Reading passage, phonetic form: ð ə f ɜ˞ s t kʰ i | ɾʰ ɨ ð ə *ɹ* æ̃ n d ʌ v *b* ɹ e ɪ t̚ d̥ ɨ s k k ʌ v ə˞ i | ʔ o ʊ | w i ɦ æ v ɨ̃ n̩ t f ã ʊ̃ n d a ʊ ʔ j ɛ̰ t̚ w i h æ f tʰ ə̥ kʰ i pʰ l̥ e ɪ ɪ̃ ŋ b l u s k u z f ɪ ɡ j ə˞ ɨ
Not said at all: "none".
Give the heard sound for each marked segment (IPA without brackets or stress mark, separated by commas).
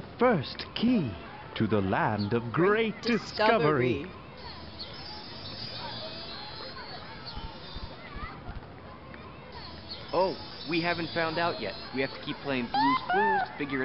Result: l, ɡ